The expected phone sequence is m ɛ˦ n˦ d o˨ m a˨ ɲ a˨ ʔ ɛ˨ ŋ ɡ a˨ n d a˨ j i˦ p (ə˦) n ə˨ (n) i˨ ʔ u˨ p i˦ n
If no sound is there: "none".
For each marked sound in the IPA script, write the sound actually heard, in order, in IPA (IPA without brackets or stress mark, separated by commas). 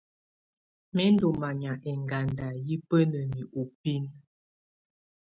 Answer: ə˦, m